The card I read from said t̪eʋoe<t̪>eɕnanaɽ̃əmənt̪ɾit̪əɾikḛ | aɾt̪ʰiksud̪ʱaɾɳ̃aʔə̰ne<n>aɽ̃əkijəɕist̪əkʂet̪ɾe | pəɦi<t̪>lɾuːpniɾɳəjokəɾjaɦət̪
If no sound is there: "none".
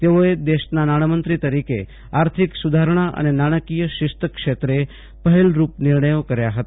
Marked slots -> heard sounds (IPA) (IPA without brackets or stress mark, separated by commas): d̪, n, none